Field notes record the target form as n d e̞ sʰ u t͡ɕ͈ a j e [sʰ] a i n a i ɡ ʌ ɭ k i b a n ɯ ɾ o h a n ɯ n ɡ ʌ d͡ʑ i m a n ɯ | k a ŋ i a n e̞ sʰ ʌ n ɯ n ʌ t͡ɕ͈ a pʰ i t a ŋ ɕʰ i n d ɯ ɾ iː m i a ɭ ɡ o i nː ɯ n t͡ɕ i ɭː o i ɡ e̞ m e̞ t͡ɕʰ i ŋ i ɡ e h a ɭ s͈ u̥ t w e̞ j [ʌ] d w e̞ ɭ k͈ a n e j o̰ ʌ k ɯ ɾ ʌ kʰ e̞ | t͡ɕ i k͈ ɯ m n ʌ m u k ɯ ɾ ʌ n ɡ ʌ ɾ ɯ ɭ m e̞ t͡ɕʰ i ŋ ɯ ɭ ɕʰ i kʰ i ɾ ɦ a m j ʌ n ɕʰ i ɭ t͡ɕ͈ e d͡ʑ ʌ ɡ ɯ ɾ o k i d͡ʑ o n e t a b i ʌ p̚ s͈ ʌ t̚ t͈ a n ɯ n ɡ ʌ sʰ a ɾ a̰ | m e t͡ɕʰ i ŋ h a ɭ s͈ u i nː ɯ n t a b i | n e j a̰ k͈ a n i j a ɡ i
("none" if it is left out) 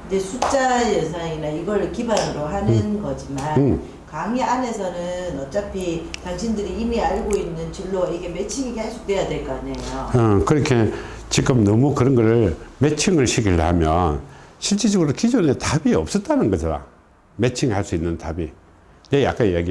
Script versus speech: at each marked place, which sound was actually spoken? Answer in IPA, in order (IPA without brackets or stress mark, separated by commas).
sʰ, a